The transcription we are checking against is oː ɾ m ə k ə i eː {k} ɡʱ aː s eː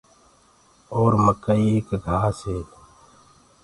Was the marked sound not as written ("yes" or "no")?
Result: no